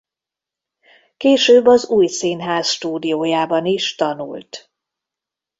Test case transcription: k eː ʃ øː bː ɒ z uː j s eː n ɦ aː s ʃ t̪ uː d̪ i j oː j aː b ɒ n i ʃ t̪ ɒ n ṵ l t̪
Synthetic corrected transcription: k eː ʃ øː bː ɒ z uː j s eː n ɦ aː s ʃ t̪ uː d̪ i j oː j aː b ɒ n i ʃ t̪ ɒ n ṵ l t̪